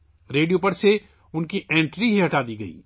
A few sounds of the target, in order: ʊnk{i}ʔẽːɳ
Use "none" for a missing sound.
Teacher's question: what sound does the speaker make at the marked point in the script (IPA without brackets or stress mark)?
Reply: i